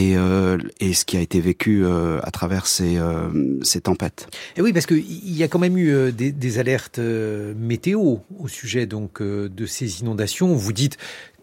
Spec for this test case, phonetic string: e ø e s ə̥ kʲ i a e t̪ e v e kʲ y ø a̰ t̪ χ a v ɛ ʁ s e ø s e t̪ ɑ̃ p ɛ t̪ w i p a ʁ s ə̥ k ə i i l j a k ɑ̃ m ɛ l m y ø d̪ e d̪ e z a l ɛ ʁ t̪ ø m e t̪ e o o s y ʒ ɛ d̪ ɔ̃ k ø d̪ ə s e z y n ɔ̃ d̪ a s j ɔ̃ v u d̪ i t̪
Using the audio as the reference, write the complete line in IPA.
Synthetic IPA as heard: e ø e s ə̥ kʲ i a e t̪ e v e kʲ y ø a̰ t̪ χ a v ɛ ʁ s e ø s e t̪ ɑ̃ p ɛ t̪ w i p a ʁ s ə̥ k ə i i l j a k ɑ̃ m ɛ m y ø d̪ e d̪ e z a l ɛ ʁ t̪ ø m e t̪ e o o s y ʒ ɛ d̪ ɔ̃ k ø d̪ ə s e z i n ɔ̃ d̪ a s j ɔ̃ v u d̪ i t̪